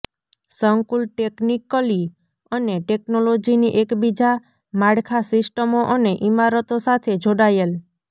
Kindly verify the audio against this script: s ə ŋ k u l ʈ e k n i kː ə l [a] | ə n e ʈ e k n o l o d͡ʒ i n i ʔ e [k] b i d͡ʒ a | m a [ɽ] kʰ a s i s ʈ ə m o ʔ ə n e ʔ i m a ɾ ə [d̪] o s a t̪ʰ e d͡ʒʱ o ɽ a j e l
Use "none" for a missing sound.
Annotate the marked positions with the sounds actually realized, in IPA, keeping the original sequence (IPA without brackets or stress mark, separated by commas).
i, k, ɽ, t̪